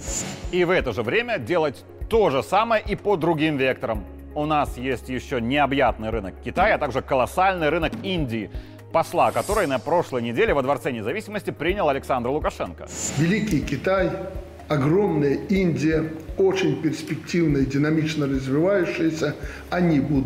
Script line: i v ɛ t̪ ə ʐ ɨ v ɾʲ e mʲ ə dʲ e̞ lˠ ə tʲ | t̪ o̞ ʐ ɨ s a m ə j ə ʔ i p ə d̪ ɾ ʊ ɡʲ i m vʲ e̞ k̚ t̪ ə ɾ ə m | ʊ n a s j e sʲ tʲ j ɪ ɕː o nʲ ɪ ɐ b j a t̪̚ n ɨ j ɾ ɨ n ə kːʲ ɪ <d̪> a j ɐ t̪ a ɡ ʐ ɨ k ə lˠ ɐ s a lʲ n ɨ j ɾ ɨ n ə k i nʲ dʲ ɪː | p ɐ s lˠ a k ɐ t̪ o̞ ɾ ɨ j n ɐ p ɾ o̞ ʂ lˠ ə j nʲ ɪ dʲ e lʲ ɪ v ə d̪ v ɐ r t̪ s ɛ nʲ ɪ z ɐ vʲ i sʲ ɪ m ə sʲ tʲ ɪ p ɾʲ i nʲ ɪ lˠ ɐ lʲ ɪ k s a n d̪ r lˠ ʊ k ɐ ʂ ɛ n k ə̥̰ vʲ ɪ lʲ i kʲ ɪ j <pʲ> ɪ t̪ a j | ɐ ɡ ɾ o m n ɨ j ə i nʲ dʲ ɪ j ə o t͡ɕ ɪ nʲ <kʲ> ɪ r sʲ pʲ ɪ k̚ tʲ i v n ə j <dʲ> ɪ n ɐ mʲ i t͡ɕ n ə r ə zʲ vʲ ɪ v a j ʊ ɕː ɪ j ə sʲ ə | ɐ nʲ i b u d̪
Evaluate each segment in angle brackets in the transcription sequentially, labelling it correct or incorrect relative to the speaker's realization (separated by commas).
incorrect, incorrect, incorrect, correct